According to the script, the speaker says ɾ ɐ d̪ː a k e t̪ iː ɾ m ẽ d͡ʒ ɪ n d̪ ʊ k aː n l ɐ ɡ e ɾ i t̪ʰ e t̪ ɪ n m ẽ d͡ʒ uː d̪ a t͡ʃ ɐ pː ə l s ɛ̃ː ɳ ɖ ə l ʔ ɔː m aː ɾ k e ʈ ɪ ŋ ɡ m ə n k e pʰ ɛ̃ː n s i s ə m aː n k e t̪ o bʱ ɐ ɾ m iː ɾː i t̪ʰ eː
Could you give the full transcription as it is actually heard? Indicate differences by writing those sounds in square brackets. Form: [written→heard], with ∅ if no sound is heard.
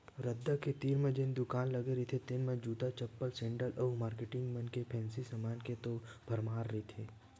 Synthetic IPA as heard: ɾ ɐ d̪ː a k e t̪ iː ɾ m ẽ d͡ʒ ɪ n d̪ ʊ k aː n l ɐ ɡ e ɾ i t̪ʰ e t̪ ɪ n m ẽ d͡ʒ uː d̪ a t͡ʃ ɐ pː ə l s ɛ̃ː ɳ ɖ ə l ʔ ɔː m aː ɾ k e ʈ ɪ ŋ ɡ m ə n k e pʰ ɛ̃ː n s i s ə m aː n k e t̪ o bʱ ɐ ɾ m [iː→aː] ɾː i t̪ʰ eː